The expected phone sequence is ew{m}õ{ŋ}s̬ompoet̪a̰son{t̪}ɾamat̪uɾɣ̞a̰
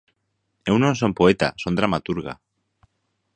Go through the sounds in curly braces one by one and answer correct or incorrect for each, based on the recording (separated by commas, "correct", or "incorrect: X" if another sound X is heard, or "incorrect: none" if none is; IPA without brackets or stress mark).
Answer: incorrect: n, incorrect: n, incorrect: d̪